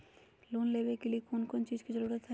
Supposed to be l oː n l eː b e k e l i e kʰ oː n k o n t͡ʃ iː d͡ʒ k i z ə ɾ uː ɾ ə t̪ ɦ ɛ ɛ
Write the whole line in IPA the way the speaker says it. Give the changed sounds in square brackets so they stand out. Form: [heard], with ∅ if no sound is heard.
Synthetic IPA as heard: l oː n l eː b e k e l i e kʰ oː n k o n t͡ʃ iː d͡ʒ k i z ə ɾ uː ɾ ə t̪ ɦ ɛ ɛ